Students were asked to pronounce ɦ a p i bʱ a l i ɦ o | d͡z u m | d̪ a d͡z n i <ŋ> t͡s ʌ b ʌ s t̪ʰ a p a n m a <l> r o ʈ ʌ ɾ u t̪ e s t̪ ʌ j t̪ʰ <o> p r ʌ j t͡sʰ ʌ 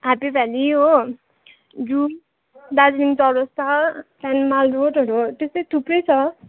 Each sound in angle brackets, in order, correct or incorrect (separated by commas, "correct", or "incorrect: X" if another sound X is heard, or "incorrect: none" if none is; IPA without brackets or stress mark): correct, correct, incorrect: u